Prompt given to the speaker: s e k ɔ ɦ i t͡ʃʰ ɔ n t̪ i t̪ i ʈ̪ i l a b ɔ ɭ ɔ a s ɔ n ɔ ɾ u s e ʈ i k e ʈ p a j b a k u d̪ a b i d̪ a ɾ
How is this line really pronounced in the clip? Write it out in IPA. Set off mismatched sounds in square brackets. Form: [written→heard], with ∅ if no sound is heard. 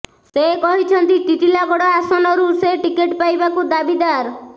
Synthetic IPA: s e k ɔ ɦ i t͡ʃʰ ɔ n t̪ i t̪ i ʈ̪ i l a [b→ɡ] ɔ [ɭ→ɽ] ɔ a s ɔ n ɔ ɾ u s e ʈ i k e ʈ p a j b a k u d̪ a b i d̪ a ɾ